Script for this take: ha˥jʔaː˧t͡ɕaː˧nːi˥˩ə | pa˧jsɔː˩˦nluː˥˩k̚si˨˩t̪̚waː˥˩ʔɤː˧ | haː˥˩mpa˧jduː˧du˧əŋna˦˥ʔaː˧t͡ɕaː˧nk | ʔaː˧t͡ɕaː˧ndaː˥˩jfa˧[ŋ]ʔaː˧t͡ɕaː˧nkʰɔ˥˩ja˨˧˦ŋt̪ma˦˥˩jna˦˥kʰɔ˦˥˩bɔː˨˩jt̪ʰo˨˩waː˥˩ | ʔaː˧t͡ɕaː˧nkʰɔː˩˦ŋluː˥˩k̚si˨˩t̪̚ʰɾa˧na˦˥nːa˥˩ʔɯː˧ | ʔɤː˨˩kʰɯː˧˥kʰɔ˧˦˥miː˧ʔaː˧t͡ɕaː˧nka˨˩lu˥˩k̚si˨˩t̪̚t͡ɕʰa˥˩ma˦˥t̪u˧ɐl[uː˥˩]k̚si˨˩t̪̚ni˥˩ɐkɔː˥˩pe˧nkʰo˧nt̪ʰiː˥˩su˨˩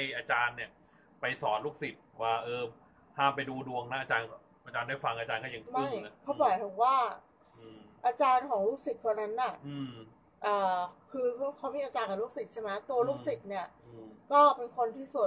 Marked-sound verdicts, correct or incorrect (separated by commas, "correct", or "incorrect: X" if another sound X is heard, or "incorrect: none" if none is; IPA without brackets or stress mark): correct, correct